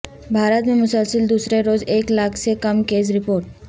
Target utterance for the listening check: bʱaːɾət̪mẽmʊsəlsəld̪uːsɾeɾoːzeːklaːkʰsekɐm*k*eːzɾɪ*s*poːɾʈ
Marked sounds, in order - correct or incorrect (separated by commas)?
correct, incorrect